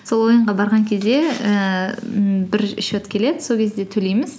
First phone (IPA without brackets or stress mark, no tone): s